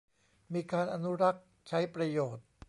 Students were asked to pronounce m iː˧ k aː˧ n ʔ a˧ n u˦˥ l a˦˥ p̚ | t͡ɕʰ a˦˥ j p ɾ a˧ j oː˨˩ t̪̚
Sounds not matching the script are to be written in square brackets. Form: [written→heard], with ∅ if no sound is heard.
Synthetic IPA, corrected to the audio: m iː˧ k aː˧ n ʔ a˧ n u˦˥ [l→ɾ] a˦˥ [p̚→k̚] | t͡ɕʰ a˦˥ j p ɾ a˧ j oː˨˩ t̪̚